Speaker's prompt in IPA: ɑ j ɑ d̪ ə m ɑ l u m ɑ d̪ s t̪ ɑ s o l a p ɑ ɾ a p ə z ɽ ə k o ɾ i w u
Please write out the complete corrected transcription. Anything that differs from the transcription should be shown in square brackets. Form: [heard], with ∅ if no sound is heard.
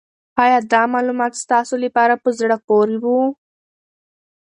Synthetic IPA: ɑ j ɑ d̪ [ɑ] m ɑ l u m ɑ [t̪] s t̪ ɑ s o l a p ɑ ɾ a p ə z ɽ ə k o ɾ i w u